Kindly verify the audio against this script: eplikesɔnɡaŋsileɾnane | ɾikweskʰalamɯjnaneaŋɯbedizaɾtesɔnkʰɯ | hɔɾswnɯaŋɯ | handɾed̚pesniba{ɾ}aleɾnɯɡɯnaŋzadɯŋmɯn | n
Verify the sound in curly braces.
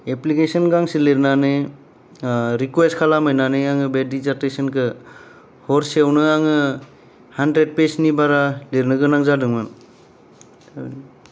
correct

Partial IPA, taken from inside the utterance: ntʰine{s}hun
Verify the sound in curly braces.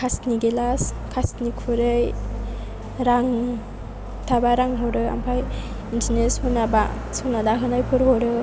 correct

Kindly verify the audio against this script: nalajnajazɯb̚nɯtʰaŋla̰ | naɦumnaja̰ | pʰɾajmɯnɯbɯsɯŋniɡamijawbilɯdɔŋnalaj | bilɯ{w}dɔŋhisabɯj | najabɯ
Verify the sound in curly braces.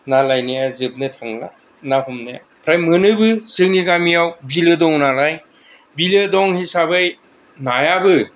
incorrect: none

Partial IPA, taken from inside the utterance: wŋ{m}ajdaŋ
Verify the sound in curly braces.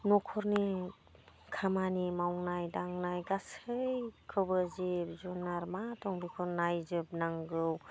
incorrect: n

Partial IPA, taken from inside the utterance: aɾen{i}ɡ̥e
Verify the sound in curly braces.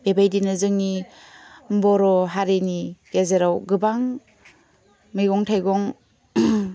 correct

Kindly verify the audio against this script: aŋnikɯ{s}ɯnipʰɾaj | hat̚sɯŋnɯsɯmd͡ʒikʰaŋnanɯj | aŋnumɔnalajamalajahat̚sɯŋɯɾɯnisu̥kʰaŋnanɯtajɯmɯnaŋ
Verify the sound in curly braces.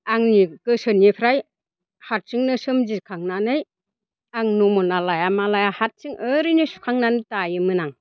correct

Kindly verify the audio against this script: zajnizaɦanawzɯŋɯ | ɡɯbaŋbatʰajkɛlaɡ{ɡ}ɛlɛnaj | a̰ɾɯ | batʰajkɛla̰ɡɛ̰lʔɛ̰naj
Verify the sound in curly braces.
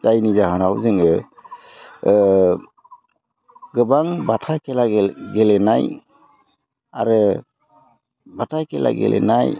correct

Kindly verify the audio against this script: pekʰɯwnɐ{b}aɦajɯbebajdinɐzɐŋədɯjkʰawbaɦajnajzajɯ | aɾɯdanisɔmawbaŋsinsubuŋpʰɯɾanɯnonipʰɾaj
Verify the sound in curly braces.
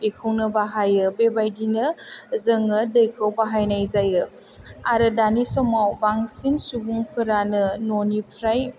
correct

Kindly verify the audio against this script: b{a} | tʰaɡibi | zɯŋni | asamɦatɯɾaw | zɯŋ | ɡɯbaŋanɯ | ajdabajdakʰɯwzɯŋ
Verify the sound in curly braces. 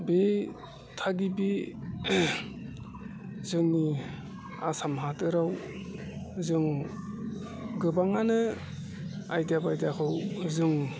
incorrect: e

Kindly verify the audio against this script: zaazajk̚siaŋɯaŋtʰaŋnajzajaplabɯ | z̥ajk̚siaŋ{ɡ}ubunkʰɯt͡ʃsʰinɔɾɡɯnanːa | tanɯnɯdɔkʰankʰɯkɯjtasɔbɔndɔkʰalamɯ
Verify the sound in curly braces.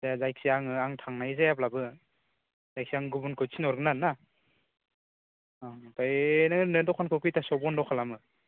correct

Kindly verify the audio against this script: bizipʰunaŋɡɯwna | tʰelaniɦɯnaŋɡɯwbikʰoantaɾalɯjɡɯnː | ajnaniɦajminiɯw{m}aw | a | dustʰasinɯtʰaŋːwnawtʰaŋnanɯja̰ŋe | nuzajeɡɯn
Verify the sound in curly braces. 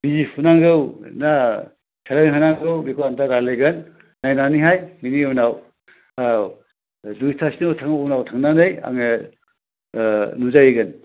incorrect: n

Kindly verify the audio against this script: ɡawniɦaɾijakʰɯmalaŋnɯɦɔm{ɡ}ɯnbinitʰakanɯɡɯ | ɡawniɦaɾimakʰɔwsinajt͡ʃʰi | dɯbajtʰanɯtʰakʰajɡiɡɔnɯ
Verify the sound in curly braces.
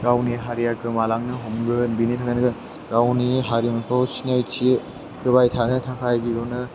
correct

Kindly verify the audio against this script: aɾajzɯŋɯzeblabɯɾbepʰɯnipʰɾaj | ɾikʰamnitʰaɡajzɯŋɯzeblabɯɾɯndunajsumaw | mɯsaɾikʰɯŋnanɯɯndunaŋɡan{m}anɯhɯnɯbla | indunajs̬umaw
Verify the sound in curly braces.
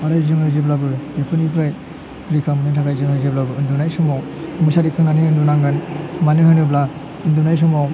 correct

